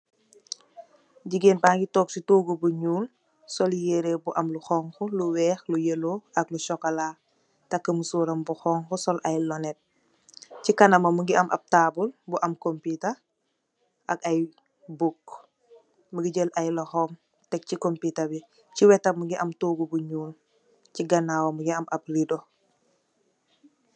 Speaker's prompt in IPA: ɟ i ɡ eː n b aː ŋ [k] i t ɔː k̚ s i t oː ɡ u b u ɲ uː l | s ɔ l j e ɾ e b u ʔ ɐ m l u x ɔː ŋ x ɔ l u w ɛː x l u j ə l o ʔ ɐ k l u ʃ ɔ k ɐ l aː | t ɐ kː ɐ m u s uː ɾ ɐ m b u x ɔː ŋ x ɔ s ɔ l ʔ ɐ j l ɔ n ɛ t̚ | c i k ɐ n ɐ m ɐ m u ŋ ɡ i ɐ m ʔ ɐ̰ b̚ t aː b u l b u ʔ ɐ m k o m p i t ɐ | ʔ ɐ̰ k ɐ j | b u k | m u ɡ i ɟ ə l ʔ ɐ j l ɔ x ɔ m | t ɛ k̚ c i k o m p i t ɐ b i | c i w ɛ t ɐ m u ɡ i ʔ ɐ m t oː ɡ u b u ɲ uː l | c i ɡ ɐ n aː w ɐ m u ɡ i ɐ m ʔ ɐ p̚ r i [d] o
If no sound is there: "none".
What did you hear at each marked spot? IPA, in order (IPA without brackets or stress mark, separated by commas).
ɡ, d